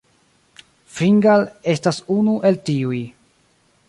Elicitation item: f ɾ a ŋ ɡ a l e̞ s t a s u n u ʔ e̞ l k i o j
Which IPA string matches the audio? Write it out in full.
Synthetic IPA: f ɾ i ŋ ɡ a l e̞ s t a s u n u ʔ e̞ l t i u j